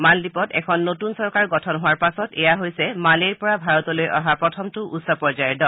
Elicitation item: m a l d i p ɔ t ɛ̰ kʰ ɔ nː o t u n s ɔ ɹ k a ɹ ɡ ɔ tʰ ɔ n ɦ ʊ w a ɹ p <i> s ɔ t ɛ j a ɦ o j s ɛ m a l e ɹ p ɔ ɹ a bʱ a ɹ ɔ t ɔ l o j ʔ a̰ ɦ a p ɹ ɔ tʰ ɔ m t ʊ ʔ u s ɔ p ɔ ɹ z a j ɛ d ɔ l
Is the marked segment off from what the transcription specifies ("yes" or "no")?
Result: yes